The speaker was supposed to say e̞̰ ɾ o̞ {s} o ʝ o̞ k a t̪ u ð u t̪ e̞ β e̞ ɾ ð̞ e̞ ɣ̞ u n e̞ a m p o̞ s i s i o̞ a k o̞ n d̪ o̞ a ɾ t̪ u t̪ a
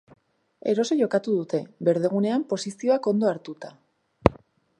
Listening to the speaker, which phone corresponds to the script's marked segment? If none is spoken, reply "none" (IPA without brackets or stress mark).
s